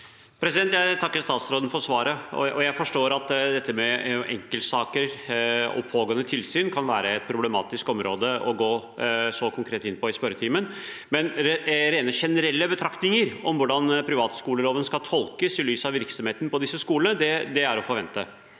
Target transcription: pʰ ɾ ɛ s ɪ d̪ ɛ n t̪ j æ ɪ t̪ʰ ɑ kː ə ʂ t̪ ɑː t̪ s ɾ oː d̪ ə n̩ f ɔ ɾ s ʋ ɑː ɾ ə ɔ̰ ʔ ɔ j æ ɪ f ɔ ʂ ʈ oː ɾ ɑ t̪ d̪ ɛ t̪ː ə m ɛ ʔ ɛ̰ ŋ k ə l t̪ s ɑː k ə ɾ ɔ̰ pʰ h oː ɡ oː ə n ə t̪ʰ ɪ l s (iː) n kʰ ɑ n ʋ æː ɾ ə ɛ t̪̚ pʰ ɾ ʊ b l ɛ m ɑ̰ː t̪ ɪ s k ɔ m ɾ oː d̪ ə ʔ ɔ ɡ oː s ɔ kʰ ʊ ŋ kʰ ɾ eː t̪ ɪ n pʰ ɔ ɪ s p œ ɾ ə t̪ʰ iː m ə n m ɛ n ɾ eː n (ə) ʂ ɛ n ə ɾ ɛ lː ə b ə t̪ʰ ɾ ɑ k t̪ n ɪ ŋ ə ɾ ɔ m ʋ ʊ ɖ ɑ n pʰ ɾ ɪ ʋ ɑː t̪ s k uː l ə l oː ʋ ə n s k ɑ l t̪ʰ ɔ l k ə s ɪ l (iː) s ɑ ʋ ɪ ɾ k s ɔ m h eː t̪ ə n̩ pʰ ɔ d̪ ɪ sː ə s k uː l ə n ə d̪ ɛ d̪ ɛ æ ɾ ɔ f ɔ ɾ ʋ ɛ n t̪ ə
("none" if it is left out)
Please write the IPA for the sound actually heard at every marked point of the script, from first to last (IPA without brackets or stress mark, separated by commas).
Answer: yː, ə, yː